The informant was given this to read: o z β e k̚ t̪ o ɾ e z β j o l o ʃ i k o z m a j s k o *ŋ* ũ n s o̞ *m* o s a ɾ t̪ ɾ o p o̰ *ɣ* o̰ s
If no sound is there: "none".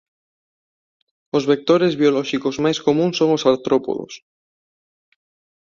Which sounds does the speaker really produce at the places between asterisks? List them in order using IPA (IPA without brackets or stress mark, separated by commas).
m, ŋ, ð